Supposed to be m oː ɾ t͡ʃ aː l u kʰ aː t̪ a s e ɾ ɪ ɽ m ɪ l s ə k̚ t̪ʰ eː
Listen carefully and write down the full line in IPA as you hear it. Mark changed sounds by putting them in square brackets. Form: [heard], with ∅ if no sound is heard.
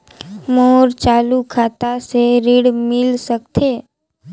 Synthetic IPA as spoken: m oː ɾ t͡ʃ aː l u kʰ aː t̪ a s e ɾ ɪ ɽ m ɪ l s ə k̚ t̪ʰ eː

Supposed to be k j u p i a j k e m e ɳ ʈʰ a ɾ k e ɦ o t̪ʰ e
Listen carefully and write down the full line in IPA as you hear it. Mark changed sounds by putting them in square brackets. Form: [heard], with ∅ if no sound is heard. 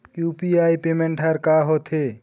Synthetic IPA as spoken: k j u p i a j [p] e m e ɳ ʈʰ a ɾ k [a] ɦ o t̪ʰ e

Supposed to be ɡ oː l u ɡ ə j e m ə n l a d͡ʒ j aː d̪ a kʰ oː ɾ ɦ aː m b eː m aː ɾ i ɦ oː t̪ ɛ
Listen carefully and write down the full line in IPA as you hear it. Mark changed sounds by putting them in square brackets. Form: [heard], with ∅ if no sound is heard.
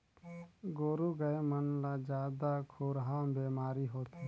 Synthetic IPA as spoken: ɡ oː [ɾ] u ɡ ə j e m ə n l a d͡ʒ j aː d̪ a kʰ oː ɾ ɦ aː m b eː m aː ɾ i ɦ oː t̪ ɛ

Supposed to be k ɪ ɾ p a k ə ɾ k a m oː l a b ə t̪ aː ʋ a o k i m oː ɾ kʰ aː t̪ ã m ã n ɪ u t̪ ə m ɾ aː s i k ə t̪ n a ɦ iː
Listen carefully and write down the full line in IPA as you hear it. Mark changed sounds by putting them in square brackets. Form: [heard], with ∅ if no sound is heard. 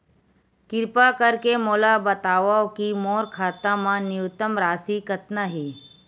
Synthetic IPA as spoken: k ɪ ɾ p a k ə ɾ k [e] m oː l a b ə t̪ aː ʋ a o k i m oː ɾ kʰ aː t̪ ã m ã n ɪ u t̪ ə m ɾ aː s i k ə t̪ n a ɦ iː

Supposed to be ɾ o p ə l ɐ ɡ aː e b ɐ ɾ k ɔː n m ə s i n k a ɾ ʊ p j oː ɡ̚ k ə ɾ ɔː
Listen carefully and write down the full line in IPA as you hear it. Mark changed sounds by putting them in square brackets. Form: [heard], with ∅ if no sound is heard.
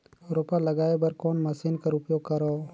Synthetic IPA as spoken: ɾ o p [a] l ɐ ɡ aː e b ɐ ɾ k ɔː n m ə s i n k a ɾ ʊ p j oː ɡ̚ k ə ɾ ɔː

